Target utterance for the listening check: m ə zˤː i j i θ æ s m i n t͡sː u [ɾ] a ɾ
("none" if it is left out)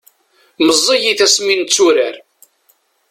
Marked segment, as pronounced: ɾ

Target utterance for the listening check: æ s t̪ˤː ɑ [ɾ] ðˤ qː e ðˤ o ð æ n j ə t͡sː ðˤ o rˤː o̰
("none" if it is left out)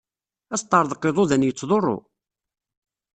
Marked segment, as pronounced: ɾ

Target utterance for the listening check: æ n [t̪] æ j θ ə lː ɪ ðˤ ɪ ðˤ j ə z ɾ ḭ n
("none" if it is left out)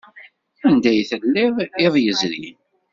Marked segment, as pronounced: d̪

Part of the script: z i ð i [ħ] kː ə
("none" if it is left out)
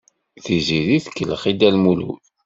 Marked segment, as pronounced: θ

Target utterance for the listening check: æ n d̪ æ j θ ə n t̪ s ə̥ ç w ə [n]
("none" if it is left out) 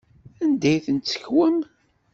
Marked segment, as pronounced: m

